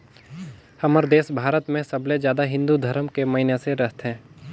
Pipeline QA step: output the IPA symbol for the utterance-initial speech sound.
h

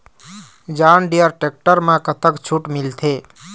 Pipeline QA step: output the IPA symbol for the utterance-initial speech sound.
d͡ʒ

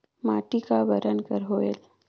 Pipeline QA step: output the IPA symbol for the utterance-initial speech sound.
m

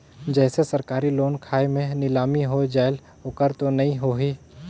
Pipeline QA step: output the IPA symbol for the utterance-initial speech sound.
d͡ʒ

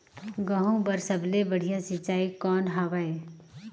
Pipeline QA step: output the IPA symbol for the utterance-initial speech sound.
ɡ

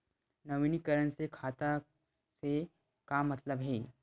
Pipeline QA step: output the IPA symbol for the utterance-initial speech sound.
n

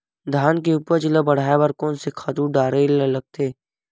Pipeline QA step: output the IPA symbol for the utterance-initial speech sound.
d̪ʱ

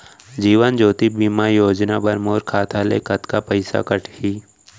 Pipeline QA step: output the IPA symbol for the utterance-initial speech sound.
d͡ʒ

